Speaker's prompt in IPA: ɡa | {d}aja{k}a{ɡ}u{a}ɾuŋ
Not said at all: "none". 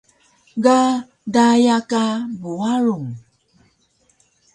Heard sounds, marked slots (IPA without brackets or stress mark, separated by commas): d, k, b, a